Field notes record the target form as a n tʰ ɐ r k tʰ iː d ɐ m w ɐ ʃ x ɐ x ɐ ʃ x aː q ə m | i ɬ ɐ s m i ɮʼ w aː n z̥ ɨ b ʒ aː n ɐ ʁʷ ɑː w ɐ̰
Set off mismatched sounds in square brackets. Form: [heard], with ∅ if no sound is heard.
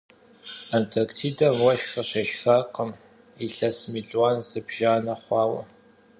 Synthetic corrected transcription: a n tʰ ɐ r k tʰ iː d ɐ m w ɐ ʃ x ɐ [ɕ] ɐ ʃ x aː q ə m | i ɬ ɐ s m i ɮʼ w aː n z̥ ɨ b ʒ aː n ɐ [χʷ] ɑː w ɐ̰